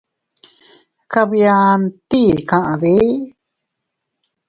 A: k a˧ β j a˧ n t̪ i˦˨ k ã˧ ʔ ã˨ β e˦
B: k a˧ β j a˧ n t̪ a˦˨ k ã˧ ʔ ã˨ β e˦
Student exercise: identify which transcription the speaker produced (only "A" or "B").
A